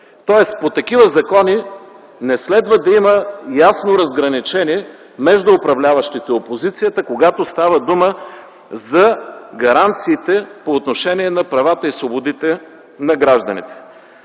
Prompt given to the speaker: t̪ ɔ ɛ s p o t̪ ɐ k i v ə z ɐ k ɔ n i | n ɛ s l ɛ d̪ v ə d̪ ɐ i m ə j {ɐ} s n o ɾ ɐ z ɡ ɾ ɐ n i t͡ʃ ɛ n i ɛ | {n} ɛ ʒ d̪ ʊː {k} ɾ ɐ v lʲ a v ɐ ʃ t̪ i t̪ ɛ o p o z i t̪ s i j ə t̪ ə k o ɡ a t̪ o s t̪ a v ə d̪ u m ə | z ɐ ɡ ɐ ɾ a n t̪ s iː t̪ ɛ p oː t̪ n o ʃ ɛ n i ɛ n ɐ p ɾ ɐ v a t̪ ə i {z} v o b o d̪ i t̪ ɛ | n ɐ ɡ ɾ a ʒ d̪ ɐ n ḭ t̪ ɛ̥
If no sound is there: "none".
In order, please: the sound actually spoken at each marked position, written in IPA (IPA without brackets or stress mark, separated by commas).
a, m, p, s